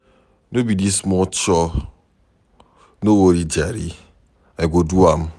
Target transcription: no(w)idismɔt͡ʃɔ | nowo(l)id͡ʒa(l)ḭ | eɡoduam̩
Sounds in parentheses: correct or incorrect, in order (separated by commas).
incorrect, incorrect, incorrect